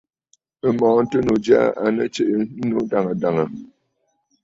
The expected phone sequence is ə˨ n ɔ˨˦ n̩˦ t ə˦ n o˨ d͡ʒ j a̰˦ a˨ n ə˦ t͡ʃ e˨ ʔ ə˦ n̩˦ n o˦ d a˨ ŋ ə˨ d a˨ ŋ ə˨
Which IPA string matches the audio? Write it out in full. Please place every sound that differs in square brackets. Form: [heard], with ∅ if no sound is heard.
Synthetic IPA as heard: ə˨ [m] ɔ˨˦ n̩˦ t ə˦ n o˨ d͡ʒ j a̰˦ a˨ n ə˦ t͡ʃ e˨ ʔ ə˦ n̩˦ n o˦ d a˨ ŋ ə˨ d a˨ ŋ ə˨